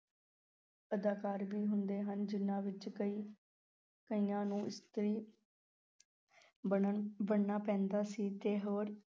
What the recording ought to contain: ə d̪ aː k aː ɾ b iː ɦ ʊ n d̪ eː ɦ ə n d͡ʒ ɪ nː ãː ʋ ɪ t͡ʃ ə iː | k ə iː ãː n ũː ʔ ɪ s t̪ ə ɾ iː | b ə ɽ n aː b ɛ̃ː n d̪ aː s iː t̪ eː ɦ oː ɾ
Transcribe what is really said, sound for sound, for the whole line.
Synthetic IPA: ə d̪ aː k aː ɾ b iː ɦ ʊ n d̪ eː ɦ ə n d͡ʒ ɪ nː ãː ʋ ɪ t͡ʃ ə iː | k ə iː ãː n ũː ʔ ɪ s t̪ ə ɾ iː | b ə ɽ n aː p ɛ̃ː n d̪ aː s iː t̪ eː ɦ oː ɾ